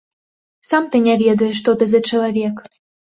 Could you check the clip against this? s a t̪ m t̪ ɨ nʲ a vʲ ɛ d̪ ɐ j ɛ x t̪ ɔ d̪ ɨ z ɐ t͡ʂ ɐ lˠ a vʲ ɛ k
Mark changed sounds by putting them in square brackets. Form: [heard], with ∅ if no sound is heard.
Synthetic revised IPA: s a [∅] m t̪ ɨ nʲ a vʲ ɛ d̪ ɐ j ɛ [ʂ] t̪ ɔ [t̪] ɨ z ɐ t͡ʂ ɐ lˠ a vʲ ɛ k